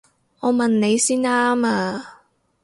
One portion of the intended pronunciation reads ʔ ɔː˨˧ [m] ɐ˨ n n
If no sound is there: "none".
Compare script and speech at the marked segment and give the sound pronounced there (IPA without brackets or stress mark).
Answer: m